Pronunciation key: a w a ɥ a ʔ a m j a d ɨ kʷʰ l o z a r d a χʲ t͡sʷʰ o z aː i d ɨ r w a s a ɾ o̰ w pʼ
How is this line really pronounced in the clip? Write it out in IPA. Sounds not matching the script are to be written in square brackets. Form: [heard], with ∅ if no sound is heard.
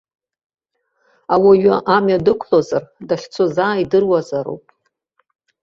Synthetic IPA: a w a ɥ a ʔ a m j a d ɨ kʷʰ l o z a r d a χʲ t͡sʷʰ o z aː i d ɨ r w a [z] a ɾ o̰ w pʼ